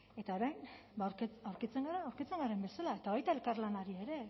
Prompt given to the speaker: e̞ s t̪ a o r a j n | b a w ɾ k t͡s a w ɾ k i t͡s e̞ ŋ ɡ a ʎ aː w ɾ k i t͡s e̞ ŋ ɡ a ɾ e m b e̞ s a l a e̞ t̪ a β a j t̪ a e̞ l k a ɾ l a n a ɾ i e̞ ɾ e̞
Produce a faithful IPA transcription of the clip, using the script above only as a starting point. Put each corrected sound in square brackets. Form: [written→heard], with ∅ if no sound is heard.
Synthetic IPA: e̞ [s→∅] t̪ a o [r→ɾ] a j n | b a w ɾ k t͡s a w ɾ k i t͡s e̞ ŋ ɡ a [ʎ→ɾ] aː w ɾ k i t͡s e̞ ŋ ɡ a ɾ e m b e̞ s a l a e̞ t̪ a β a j t̪ a e̞ l k a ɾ l a n a ɾ i e̞ ɾ e̞